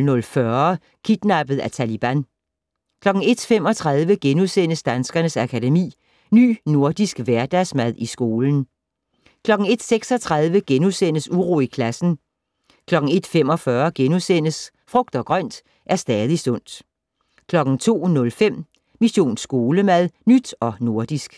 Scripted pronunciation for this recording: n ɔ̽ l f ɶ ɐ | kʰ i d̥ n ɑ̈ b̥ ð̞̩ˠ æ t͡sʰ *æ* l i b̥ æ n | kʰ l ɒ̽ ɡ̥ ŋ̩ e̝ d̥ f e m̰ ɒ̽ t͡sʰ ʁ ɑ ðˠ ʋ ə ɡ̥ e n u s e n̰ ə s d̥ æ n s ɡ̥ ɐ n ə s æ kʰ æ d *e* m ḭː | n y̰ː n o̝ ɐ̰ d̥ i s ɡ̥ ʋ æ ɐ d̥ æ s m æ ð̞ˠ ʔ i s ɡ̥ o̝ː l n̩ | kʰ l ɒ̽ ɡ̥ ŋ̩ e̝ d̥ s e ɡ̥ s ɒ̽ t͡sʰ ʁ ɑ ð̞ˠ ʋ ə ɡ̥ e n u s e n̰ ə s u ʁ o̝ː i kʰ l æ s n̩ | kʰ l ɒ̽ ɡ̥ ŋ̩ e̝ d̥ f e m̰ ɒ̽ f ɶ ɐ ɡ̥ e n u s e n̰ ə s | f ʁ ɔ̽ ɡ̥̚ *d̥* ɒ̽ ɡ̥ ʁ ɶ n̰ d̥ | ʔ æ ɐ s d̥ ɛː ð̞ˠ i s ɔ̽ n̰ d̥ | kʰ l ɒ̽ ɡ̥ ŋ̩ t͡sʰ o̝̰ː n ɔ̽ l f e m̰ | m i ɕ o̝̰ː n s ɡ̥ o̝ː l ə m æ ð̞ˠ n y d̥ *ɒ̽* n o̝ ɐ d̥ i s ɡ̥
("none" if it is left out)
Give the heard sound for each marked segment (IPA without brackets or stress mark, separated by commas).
æ, e, d̥, ɒ̽